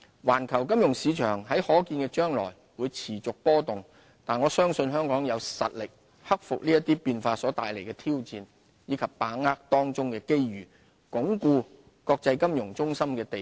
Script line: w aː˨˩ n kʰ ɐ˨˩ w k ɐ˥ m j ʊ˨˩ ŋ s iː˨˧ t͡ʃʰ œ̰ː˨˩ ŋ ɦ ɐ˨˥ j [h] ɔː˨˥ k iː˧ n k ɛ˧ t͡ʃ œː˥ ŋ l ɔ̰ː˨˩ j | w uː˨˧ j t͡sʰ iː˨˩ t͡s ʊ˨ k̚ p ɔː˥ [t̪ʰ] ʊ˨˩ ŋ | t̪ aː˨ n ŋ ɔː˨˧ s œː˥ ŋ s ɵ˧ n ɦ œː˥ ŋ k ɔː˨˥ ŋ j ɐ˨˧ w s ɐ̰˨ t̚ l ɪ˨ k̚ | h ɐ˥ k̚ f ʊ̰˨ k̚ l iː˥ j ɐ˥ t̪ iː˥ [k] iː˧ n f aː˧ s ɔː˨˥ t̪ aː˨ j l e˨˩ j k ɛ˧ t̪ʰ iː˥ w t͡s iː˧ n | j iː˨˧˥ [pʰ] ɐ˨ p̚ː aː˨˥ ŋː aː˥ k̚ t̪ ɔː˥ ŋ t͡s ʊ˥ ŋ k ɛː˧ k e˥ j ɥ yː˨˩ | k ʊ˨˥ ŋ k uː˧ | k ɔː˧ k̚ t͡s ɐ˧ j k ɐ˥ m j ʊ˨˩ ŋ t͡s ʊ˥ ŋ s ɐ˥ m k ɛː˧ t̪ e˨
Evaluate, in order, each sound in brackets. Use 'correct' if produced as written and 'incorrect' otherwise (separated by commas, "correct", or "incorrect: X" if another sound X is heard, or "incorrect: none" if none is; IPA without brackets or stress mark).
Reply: correct, incorrect: t̪, incorrect: p, incorrect: kʰ